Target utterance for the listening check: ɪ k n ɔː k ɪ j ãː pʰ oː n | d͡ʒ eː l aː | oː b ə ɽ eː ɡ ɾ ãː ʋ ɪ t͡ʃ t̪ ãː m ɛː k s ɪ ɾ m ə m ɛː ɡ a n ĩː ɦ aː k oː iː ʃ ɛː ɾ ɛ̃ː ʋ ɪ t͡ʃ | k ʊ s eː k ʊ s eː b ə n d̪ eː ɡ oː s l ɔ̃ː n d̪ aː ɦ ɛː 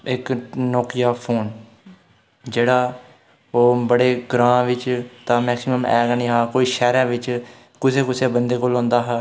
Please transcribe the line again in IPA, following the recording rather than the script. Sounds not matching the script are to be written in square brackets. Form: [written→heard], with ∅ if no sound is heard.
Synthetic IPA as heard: ɪ k n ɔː k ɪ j [ãː→aː] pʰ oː n | d͡ʒ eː [l→ɽ] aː | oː b ə ɽ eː ɡ ɾ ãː ʋ ɪ t͡ʃ t̪ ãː m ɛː k s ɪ [ɾ→∅] m ə m ɛː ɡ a n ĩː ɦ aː k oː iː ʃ ɛː ɾ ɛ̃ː ʋ ɪ t͡ʃ | k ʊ s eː k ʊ s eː b ə n d̪ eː [ɡ→k] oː [s→∅] l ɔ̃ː n d̪ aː ɦ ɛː